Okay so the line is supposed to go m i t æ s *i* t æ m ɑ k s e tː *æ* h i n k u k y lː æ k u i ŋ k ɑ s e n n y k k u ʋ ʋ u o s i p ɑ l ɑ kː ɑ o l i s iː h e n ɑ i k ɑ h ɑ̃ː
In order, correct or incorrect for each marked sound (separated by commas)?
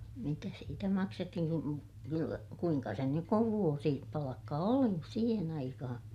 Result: incorrect, incorrect